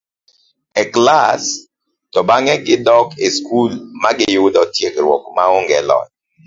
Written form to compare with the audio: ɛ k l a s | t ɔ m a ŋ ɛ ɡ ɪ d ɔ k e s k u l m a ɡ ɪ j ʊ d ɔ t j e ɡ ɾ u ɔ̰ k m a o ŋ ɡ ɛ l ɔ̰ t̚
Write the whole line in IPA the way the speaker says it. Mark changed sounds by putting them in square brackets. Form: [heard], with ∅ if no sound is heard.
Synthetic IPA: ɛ k l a s | t ɔ [b] a ŋ ɛ ɡ ɪ d ɔ k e s k u l m a ɡ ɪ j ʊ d ɔ t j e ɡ ɾ [w] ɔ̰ k m a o ŋ ɡ ɛ l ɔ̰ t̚